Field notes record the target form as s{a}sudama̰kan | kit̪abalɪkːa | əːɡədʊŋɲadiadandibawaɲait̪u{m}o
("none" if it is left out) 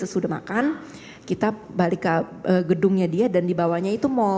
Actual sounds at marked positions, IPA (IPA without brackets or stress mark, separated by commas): ə, m